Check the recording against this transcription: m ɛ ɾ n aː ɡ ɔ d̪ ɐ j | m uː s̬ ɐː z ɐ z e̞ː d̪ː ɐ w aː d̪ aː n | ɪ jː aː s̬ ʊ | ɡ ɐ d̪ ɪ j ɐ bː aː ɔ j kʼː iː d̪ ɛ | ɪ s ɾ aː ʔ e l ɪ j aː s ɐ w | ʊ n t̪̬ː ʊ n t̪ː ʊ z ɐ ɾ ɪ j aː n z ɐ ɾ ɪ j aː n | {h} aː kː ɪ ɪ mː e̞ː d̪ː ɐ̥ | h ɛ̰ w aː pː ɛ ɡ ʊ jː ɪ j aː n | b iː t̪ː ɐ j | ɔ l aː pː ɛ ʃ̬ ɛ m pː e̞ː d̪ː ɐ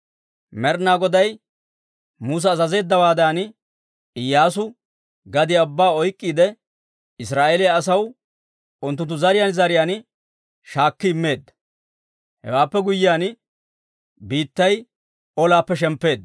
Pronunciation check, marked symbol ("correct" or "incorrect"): incorrect